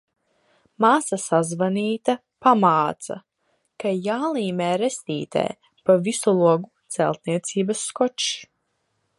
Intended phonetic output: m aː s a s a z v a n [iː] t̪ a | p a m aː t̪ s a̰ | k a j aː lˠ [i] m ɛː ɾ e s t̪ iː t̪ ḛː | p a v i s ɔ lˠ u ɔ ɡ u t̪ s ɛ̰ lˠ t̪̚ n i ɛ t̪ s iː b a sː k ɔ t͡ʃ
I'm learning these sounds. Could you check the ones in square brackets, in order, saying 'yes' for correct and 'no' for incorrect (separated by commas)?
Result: yes, no